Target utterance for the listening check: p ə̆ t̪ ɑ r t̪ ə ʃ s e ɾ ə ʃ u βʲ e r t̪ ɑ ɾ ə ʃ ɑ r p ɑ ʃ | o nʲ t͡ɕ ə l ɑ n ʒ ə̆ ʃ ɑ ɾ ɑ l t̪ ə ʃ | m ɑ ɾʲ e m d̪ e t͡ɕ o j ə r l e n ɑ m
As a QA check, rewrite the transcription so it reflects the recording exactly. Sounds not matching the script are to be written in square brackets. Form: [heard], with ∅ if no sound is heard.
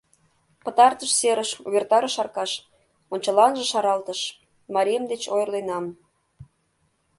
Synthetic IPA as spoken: p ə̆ t̪ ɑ r t̪ ə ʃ s e ɾ ə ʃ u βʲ e r t̪ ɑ ɾ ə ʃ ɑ r [k] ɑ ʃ | o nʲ t͡ɕ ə l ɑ n ʒ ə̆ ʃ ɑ ɾ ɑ l t̪ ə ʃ | m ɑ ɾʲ e m d̪ e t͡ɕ o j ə r l e n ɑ m